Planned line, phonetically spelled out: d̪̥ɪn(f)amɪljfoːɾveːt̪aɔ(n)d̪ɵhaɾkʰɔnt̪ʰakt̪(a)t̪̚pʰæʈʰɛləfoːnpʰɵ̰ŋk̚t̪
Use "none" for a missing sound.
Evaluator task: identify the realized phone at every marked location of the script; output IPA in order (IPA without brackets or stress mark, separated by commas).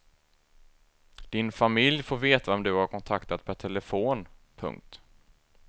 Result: f, m, a